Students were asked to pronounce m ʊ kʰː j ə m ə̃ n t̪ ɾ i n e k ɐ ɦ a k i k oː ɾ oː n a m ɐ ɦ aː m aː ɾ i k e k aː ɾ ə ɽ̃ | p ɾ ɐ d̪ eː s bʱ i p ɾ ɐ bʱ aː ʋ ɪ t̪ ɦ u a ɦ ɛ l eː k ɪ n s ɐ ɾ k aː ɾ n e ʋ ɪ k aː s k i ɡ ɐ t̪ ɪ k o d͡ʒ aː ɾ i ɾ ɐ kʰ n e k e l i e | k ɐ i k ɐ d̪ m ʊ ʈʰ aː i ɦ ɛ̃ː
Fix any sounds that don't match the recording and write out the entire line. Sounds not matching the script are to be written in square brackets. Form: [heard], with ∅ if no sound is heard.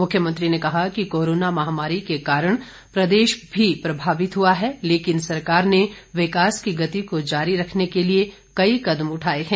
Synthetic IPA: m ʊ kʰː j ə m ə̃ n t̪ ɾ i n e k ɐ ɦ a k i k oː ɾ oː n a m ɐ ɦ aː m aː ɾ i k e k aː ɾ ə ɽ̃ | p ɾ ɐ d̪ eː [ʃ] bʱ i p ɾ ɐ bʱ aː ʋ ɪ t̪ ɦ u a ɦ ɛ l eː k ɪ n s ɐ ɾ k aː ɾ n e ʋ ɪ k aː s k i ɡ ɐ t̪ [i] k o d͡ʒ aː ɾ i ɾ ɐ kʰ n e k e l i e | k ɐ i k ɐ d̪ m ʊ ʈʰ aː [e] ɦ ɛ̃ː